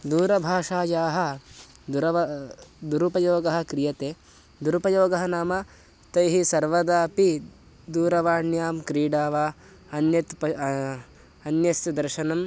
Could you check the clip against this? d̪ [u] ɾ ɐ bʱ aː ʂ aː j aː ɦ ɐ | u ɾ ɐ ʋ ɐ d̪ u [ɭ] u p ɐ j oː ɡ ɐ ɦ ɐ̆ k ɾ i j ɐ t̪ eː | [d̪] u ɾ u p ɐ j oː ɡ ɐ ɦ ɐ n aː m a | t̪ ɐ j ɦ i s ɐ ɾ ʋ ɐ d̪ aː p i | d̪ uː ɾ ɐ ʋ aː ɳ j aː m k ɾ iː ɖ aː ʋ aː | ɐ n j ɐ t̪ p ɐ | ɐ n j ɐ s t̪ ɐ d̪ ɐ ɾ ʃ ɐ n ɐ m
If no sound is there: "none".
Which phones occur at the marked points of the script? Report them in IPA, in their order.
uː, ɾ, d̪

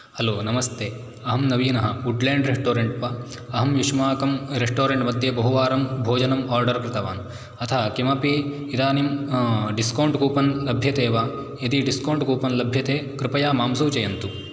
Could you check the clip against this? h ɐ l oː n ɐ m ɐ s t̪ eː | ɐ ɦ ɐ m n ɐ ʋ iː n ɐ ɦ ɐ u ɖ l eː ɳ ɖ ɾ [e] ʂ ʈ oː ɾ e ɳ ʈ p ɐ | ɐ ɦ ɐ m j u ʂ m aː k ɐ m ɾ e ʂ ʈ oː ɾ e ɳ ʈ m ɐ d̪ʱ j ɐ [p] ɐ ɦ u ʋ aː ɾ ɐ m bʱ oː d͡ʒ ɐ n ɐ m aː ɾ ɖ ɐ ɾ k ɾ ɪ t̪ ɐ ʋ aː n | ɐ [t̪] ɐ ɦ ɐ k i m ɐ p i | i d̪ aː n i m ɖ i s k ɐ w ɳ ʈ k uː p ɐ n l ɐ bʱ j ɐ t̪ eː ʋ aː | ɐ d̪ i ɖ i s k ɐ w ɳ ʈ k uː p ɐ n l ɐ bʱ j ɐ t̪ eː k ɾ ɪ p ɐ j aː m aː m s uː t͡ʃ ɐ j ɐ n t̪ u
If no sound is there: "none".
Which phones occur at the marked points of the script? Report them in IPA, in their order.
e, b, t̪ʰ

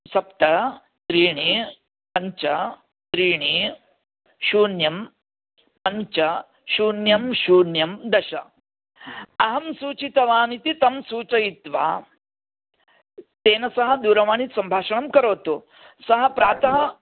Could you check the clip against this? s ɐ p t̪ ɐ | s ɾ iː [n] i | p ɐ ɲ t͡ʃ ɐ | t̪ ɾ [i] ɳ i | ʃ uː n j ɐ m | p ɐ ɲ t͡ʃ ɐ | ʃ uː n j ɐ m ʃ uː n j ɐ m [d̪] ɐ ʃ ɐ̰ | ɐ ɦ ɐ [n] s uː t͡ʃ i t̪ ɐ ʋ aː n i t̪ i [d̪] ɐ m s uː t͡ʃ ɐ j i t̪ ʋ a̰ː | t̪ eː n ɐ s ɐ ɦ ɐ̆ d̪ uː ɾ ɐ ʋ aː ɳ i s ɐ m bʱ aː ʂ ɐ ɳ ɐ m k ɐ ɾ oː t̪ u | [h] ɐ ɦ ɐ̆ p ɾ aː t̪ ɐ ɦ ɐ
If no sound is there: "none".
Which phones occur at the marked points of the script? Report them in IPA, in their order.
ɳ, iː, d̪, m, t̪, s

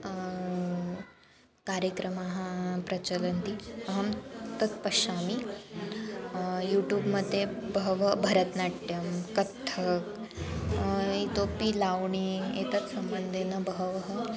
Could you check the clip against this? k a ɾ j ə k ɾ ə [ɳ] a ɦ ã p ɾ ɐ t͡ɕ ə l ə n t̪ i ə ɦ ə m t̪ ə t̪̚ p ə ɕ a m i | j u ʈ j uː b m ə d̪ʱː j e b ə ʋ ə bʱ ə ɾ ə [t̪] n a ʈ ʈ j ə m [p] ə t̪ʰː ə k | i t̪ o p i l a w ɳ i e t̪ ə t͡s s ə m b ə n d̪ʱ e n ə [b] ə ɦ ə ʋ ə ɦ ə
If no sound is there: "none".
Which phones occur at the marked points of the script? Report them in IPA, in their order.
m, t̪, k, b

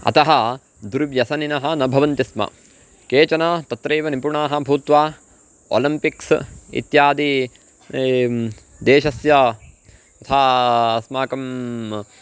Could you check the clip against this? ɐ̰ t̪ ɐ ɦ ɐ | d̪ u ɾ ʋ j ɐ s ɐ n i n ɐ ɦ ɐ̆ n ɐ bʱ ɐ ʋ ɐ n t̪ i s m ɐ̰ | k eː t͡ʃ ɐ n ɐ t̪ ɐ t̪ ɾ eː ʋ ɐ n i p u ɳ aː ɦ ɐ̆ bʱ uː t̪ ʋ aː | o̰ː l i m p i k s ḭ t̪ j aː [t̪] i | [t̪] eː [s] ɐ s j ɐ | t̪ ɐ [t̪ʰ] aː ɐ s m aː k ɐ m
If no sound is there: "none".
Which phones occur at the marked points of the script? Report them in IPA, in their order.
d̪, d̪, ʃ, t̪ʰ

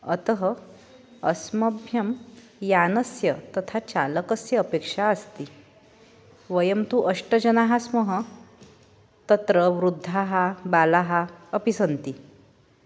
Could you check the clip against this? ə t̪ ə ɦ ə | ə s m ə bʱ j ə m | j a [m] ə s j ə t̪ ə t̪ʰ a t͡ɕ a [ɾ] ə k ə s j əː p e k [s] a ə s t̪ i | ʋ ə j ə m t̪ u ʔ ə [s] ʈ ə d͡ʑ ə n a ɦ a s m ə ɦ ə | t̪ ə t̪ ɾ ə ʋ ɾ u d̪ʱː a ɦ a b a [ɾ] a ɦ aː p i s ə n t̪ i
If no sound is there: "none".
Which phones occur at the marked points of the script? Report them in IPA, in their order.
n, l, ʂ, ʂ, l

